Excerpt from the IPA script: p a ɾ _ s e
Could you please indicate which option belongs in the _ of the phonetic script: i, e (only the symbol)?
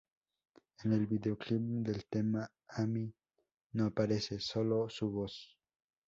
e